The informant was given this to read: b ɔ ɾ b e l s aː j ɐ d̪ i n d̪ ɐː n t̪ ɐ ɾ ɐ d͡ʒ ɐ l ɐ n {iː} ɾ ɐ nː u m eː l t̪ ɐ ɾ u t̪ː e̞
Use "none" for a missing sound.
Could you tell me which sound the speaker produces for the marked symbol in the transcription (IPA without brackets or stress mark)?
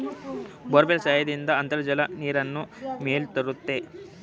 iː